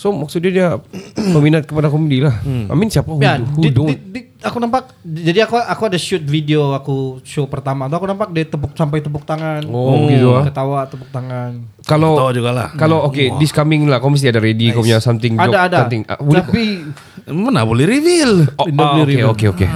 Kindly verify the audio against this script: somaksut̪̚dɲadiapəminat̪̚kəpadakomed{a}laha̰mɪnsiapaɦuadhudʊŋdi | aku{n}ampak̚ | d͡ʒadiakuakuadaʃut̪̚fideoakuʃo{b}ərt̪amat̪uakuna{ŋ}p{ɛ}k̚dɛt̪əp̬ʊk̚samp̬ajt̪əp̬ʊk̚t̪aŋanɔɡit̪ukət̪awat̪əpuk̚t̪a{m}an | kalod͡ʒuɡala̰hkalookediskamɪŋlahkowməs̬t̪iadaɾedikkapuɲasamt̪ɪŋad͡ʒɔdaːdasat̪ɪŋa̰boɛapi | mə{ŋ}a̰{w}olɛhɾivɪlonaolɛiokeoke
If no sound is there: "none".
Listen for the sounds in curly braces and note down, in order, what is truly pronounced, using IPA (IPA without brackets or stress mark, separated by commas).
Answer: i, n, p, m, a, ŋ, n, b